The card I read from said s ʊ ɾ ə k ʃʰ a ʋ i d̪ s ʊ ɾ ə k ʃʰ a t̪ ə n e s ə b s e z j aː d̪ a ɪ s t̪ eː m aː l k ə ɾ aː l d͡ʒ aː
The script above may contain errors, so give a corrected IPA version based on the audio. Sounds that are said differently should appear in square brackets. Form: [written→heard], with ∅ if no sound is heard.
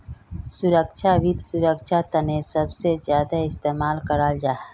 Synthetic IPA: s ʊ ɾ ə k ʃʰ a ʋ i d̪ s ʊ ɾ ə k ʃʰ a t̪ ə n e s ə b s e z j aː d̪ a ɪ s t̪ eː m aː l k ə ɾ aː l d͡ʒ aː